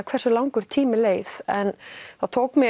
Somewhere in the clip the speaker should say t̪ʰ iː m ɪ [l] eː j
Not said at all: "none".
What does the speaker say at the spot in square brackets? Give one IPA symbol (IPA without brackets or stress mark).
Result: l